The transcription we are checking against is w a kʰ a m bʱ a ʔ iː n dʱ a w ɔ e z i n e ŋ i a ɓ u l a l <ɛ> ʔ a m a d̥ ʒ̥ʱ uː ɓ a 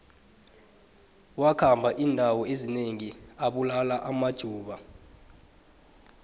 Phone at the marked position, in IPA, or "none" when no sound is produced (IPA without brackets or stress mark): a